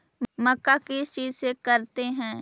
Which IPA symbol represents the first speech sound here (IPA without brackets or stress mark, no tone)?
m